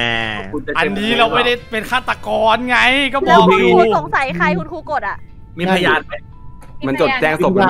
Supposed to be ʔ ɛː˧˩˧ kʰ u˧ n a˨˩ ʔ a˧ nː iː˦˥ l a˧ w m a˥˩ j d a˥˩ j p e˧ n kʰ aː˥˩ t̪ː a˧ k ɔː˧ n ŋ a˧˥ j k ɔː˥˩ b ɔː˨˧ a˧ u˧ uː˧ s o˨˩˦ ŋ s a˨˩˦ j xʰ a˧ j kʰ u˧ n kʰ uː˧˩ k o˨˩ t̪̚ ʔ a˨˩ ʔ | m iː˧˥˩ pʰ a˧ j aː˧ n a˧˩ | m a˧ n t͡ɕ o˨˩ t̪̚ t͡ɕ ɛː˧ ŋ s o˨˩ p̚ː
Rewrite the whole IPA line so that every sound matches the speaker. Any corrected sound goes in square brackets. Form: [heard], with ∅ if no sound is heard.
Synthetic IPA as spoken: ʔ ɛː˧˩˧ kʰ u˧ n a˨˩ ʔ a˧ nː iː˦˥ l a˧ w m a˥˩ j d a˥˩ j p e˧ n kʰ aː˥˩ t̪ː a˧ k ɔː˧ n ŋ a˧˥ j k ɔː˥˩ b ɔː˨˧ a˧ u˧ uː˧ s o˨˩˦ ŋ s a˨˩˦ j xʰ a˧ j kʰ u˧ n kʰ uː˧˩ k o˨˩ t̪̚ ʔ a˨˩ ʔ | m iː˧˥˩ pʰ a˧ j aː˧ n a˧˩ | m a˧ n t͡ɕ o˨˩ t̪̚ t͡ɕ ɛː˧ ŋ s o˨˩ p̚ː

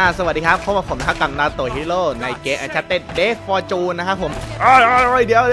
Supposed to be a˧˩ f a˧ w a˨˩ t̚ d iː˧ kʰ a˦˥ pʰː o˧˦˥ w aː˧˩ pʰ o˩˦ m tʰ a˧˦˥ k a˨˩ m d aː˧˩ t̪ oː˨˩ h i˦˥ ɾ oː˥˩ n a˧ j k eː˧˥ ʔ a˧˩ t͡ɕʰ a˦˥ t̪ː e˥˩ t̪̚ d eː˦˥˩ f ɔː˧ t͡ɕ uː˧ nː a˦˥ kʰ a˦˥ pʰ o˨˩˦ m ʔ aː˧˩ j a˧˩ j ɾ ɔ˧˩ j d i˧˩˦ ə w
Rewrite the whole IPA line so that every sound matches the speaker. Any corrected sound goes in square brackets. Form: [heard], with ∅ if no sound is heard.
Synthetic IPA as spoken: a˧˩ [s] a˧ w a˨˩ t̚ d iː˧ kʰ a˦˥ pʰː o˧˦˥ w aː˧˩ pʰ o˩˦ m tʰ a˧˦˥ k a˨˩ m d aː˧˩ t̪ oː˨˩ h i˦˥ [l] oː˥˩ n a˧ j k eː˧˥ ʔ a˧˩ t͡ɕʰ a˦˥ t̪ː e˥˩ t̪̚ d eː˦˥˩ f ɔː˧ t͡ɕ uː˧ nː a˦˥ kʰ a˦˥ pʰ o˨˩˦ m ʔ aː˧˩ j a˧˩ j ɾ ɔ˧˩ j d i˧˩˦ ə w

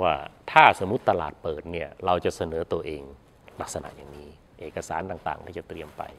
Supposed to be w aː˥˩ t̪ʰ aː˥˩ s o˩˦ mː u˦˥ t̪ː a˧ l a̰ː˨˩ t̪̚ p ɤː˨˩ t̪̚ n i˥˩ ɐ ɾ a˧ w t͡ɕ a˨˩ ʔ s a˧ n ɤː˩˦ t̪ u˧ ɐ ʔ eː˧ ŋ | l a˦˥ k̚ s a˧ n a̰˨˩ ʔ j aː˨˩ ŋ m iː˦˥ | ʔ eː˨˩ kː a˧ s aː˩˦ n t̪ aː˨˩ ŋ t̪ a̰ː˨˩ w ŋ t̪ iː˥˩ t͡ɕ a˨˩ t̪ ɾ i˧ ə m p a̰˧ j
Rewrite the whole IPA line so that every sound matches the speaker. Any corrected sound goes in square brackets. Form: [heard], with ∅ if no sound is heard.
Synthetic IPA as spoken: w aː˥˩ t̪ʰ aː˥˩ s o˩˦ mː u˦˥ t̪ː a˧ l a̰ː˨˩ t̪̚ p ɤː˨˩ t̪̚ n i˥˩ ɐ ɾ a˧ w t͡ɕ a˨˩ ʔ s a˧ n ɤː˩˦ t̪ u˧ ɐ ʔ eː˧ ŋ | l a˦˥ k̚ s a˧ n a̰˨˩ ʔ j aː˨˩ ŋ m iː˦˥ | ʔ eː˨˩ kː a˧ s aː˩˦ n t̪ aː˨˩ ŋ t̪ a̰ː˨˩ [∅] ŋ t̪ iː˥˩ t͡ɕ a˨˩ t̪ ɾ i˧ ə m p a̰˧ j

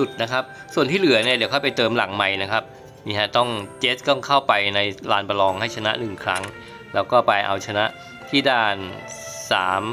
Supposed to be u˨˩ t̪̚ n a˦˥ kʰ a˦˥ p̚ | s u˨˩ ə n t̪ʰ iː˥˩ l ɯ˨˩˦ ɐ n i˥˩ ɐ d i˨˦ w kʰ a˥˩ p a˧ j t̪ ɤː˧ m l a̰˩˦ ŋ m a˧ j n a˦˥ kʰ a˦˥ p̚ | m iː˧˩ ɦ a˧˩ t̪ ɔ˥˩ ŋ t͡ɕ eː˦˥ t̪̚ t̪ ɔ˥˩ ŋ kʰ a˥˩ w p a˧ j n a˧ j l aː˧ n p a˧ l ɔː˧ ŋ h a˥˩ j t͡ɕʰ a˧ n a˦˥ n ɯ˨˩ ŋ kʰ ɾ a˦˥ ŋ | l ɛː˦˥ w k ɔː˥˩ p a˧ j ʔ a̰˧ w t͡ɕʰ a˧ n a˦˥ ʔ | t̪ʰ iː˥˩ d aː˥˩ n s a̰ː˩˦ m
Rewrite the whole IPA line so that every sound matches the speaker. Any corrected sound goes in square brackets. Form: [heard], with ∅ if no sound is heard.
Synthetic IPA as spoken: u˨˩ t̪̚ n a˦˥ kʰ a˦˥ p̚ | s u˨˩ ə n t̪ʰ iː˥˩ l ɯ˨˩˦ ɐ n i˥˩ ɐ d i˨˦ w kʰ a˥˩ p a˧ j t̪ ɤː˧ m l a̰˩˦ ŋ m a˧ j n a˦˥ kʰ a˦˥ p̚ | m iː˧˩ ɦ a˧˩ t̪ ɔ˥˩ ŋ t͡ɕ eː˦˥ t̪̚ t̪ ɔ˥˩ ŋ kʰ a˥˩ w p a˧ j n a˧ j l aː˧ n p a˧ l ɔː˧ ŋ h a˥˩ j t͡ɕʰ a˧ n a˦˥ n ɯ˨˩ ŋ kʰ ɾ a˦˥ ŋ | l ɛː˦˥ w k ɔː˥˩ p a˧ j ʔ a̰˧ w t͡ɕʰ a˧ n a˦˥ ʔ | t̪ʰ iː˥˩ d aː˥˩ n s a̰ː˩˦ m

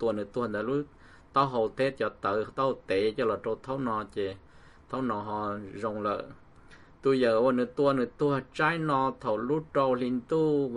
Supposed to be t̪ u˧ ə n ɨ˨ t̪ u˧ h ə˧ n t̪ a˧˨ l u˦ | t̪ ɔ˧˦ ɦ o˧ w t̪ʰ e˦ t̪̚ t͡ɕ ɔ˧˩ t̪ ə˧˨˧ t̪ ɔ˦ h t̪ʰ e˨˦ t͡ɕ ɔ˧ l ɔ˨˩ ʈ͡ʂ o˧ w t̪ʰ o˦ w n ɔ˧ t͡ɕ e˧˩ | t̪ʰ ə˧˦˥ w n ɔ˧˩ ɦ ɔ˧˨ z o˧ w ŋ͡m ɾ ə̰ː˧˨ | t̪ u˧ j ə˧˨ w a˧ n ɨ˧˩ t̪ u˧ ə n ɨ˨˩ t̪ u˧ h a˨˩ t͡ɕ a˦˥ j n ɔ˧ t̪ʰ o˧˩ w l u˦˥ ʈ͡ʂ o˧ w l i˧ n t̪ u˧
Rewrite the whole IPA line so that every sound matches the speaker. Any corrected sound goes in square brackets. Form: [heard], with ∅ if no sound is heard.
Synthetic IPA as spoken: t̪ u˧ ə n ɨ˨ t̪ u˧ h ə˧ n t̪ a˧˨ l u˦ | t̪ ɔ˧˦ ɦ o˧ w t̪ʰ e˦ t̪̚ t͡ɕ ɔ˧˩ t̪ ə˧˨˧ t̪ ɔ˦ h [t̪] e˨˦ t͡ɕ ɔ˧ l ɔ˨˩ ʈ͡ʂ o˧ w t̪ʰ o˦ w n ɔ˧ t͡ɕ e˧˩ | t̪ʰ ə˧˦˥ w n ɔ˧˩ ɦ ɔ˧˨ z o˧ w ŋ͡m [l] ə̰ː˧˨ | t̪ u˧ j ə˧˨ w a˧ n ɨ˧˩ t̪ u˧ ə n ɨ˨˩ t̪ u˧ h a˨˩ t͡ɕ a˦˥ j n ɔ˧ t̪ʰ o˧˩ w l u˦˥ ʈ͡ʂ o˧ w l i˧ n t̪ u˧

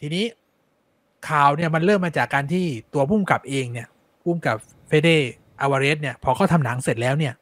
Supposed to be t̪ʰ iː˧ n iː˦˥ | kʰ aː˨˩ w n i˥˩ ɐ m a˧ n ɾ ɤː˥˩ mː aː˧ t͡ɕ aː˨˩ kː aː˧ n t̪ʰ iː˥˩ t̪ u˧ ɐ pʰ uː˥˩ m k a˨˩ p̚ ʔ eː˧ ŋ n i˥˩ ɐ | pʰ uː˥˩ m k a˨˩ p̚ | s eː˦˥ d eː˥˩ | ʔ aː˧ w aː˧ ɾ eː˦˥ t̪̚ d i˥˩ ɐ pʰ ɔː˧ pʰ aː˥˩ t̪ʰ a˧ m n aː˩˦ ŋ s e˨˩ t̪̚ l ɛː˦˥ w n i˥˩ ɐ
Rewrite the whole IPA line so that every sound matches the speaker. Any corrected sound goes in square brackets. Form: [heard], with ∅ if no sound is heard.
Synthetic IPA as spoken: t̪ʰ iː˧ n iː˦˥ | kʰ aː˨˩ w n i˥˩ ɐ m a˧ n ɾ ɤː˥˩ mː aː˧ t͡ɕ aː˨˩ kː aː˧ n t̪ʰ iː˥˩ t̪ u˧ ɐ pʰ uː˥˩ m k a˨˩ p̚ ʔ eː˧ ŋ n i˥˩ ɐ | pʰ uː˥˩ m k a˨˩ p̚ | [f] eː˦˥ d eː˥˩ | ʔ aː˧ w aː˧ ɾ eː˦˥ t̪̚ [n] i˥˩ ɐ pʰ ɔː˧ [kʰ] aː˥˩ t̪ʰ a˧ m n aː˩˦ ŋ s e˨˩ t̪̚ l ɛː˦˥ w n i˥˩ ɐ

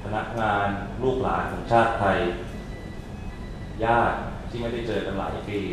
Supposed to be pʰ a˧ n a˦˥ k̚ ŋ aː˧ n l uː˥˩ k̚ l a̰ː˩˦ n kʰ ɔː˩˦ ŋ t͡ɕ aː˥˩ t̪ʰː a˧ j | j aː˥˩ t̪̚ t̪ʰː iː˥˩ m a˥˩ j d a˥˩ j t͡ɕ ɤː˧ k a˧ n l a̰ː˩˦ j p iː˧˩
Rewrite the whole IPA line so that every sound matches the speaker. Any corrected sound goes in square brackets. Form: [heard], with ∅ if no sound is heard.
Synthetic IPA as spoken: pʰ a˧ n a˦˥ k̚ ŋ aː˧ n l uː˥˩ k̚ l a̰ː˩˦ n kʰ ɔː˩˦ ŋ [t͡ɕʰ] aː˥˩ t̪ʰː a˧ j | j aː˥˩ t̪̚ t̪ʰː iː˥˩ m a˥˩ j d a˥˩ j t͡ɕ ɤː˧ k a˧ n l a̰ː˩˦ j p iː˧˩

